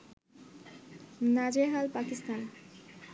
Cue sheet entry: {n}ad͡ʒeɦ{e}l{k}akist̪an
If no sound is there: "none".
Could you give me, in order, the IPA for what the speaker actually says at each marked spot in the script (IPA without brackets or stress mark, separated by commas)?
n, a, p